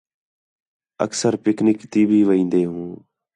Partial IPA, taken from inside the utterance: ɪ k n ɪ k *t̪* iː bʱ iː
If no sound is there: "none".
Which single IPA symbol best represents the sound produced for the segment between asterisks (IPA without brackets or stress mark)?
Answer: t̪